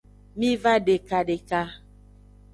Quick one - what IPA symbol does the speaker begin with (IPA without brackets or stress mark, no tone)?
m